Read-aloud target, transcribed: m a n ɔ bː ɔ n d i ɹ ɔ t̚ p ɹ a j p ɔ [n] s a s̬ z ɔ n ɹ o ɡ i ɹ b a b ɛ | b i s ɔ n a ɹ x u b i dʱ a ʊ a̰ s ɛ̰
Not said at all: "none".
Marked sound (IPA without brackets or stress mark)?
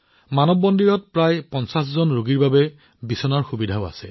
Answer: n